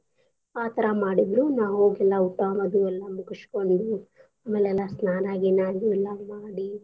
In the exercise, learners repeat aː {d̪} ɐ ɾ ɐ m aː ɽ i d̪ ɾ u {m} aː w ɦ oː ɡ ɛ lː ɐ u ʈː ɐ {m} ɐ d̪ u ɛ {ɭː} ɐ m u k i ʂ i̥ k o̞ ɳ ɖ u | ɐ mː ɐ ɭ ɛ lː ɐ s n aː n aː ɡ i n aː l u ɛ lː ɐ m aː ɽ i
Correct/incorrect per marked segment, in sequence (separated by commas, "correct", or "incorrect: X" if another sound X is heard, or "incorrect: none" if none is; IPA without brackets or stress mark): incorrect: t̪, incorrect: n, correct, incorrect: lː